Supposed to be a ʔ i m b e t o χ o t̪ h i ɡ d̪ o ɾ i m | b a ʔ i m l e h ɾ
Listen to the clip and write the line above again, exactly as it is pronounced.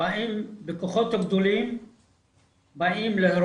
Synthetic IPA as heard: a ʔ i m b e k o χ o t̪ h a ɡ d̪ o l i m | b a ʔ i m l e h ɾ